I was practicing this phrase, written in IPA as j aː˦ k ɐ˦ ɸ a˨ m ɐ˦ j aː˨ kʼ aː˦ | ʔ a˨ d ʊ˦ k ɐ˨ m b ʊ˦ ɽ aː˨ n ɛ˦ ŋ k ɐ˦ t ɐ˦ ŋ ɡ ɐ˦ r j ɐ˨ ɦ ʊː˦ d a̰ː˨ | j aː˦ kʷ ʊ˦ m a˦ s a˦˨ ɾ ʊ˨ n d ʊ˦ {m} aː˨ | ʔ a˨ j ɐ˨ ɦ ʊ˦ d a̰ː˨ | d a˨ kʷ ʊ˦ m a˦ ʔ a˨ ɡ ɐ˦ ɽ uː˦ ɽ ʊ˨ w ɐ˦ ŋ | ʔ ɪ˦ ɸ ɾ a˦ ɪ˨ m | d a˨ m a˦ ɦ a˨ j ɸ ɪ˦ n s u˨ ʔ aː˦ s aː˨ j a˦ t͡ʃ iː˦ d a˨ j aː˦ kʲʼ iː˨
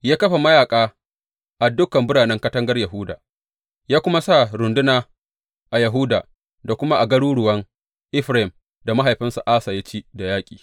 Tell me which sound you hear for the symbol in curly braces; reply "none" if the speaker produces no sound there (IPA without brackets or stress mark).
n